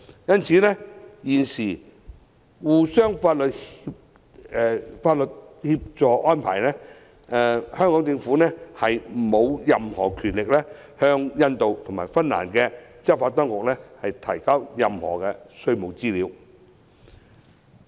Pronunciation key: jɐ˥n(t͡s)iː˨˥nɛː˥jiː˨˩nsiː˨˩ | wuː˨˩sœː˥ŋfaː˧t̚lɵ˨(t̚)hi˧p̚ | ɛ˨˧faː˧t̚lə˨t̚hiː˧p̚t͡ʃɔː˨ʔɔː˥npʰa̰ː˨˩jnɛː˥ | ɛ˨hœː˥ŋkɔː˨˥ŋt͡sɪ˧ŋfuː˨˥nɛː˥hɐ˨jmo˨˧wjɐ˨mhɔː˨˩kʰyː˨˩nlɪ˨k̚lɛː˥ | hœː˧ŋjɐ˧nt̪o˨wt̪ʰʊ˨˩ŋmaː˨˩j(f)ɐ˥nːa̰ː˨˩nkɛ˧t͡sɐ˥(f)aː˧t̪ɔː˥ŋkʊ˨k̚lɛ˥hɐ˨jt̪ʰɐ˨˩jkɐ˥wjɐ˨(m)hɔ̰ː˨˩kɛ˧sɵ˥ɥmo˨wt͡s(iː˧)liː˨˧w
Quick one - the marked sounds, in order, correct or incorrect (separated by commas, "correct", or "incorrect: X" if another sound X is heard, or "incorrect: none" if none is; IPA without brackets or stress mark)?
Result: incorrect: t͡sʰ, correct, correct, correct, correct, incorrect: iː˥